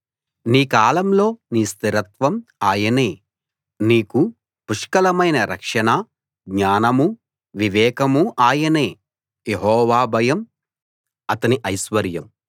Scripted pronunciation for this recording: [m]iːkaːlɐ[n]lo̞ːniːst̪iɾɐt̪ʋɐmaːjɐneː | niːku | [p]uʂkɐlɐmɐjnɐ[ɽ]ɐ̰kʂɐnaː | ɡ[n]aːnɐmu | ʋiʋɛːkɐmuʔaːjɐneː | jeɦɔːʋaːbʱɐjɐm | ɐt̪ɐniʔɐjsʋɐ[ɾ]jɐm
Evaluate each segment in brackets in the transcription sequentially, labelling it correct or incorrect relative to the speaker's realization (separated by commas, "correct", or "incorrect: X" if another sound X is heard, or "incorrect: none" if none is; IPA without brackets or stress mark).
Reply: incorrect: n, incorrect: m, correct, incorrect: ɾ, incorrect: ɲ, correct